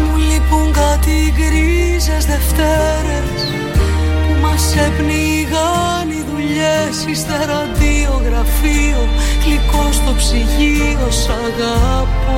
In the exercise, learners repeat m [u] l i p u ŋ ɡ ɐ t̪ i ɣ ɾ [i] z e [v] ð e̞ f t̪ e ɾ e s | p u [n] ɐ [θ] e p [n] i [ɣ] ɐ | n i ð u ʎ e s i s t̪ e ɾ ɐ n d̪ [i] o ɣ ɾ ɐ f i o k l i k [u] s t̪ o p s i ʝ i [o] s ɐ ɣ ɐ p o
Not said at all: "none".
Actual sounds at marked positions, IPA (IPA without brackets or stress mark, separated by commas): u, i, z, m, s, n, ɣ, i, o, o